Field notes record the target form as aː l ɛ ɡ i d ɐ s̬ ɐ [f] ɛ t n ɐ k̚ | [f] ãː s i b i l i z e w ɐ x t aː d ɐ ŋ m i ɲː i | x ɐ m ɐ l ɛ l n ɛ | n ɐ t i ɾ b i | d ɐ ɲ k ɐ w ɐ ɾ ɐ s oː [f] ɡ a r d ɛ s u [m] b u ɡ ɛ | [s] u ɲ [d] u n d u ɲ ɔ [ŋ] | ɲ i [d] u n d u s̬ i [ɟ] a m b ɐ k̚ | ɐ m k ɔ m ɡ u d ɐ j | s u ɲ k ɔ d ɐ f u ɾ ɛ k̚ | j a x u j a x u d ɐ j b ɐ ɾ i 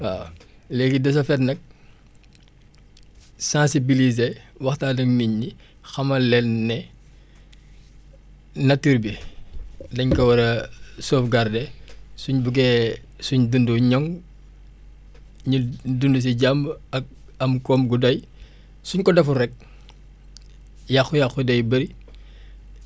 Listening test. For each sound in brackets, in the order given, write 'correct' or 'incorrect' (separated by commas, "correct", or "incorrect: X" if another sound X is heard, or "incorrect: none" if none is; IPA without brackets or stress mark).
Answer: correct, incorrect: s, correct, incorrect: ɲ, correct, correct, correct, correct, correct